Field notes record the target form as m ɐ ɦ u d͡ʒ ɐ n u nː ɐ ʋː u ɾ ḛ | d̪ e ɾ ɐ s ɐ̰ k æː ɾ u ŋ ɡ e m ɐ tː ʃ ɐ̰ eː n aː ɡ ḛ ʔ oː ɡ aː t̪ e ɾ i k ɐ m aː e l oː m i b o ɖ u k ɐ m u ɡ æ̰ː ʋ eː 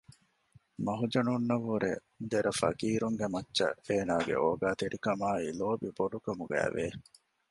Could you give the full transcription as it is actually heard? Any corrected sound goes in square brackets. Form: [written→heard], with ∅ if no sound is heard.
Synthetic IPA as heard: m ɐ ɦ u d͡ʒ ɐ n u nː ɐ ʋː u ɾ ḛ | d̪ e ɾ ɐ [s→f] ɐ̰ k [æː→iː] ɾ u ŋ ɡ e m ɐ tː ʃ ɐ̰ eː n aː ɡ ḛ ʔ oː ɡ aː t̪ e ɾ i k ɐ m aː [e→i] l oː [m→b] i b o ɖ u k ɐ m u ɡ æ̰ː ʋ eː